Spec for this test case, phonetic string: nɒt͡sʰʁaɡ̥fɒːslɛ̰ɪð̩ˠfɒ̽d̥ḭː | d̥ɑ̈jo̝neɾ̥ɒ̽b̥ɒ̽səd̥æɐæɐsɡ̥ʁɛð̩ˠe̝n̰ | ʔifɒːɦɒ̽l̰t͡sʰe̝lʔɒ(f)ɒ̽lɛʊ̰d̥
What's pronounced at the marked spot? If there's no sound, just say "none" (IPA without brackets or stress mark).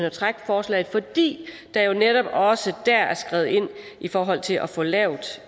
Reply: f